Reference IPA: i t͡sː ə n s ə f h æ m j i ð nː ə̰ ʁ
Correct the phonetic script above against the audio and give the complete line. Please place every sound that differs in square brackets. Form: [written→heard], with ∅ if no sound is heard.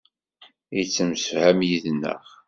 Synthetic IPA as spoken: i t͡sː ə [n→m] s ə f h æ m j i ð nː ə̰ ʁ